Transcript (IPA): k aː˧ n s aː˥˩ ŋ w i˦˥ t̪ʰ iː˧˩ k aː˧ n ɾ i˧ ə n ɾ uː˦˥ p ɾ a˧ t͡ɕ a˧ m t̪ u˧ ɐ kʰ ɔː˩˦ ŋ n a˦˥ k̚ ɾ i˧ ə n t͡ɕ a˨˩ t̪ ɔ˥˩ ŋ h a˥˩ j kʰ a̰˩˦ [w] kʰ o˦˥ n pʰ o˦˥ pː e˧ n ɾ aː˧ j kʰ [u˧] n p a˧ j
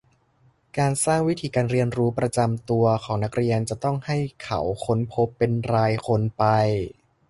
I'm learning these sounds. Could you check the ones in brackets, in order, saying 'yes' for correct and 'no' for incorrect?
yes, no

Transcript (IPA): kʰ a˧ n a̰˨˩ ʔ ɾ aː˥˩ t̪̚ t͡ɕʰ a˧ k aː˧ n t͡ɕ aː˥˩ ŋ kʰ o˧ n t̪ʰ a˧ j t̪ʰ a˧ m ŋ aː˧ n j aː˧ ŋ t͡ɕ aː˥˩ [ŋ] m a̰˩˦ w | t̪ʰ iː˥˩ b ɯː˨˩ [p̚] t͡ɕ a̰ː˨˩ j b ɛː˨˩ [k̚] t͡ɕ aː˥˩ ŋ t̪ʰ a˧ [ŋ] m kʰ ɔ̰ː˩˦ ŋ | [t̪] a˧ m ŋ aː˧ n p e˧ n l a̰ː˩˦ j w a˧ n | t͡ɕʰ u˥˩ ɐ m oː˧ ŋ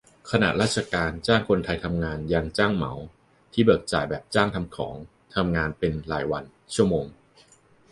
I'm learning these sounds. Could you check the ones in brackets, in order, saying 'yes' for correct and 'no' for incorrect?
yes, no, no, no, no

